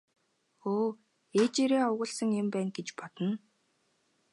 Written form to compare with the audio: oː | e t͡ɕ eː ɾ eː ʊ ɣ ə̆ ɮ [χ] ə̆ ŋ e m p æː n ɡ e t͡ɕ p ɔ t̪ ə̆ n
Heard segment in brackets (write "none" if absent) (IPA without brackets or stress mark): s